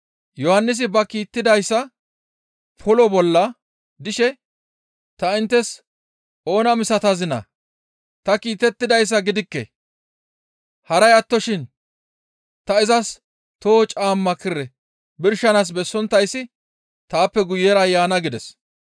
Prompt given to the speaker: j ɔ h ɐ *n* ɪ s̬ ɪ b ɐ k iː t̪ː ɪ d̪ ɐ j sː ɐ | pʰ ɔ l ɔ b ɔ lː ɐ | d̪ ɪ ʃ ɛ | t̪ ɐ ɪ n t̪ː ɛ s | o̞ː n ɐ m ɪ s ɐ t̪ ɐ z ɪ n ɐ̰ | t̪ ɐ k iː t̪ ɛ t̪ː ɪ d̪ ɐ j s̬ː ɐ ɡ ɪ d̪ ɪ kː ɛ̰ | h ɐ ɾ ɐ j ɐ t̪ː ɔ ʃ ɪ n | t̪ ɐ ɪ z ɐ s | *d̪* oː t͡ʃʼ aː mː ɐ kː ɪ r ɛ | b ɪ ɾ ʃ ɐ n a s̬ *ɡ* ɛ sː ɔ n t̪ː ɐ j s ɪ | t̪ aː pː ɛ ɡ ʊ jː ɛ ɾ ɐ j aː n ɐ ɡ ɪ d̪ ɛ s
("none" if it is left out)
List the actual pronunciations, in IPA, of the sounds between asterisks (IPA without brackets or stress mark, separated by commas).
nː, t̪, b